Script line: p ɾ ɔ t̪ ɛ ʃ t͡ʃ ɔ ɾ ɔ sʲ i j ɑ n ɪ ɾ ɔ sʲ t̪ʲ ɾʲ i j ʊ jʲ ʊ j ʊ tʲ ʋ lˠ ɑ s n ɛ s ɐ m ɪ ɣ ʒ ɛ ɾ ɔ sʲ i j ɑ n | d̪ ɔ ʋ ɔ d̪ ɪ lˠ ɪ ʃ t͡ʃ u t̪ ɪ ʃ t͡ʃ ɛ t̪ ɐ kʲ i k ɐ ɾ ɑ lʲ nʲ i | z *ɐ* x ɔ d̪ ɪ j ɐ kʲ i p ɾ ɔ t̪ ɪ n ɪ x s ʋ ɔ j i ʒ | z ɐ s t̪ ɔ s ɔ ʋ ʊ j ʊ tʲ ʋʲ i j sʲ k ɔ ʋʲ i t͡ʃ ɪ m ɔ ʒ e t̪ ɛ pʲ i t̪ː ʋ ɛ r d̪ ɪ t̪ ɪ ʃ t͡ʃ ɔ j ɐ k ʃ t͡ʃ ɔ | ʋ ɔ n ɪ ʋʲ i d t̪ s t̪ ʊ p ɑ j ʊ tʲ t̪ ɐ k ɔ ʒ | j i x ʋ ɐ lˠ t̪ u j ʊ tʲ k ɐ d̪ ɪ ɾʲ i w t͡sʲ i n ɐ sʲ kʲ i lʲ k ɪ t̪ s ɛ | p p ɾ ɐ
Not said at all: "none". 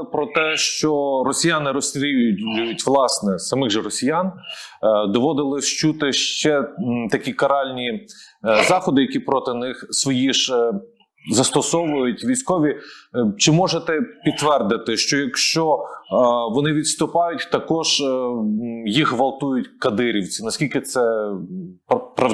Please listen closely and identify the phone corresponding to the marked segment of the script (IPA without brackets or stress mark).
ɑ